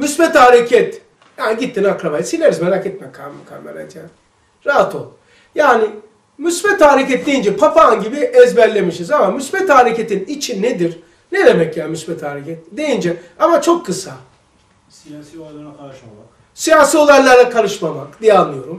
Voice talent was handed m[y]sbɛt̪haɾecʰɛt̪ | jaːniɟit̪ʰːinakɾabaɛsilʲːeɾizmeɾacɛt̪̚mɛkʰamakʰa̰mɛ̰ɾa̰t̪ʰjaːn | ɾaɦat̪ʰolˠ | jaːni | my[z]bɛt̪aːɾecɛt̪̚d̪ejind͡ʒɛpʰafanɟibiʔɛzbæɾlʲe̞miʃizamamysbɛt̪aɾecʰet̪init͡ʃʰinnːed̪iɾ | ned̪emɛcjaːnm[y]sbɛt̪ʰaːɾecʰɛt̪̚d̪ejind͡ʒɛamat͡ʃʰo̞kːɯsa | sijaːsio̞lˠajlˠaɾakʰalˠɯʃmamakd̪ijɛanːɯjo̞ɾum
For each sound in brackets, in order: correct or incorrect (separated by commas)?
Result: correct, incorrect, correct